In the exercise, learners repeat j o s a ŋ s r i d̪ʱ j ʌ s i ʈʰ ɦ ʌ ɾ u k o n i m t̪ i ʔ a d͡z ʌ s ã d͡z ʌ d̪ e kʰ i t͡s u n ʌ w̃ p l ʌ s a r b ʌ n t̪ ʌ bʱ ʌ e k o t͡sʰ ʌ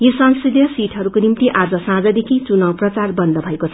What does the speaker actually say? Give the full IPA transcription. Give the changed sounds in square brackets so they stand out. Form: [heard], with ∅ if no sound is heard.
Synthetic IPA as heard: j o s [ʌ] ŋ s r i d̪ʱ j ʌ s i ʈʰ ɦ ʌ ɾ u k o n i m t̪ i ʔ a d͡z ʌ s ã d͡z ʌ d̪ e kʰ i t͡s u n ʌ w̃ p [r] ʌ [t͡s] a r b ʌ n [d̪] ʌ bʱ ʌ e k o t͡sʰ ʌ